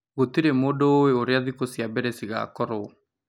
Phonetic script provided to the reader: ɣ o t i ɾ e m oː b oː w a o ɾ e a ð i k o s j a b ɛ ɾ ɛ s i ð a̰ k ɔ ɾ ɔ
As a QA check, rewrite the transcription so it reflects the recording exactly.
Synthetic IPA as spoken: ɣ o t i ɾ e m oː d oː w e o ɾ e a ð i k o s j a b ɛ ɾ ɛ s i ɣ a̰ k ɔ ɾ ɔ